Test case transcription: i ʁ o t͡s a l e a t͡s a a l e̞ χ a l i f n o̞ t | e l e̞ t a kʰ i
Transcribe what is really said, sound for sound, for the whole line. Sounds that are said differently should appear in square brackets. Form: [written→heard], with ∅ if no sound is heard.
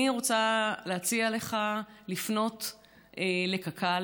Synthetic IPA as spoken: i ʁ o t͡s a l e a t͡s [a→i] a l e̞ χ a l i f n o̞ t | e l e̞ [t→k] a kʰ [i→a]